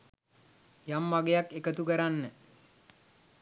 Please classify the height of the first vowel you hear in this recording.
low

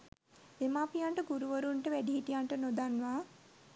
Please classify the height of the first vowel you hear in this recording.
mid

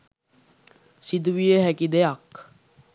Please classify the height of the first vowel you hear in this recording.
high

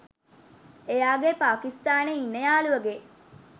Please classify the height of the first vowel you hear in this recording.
mid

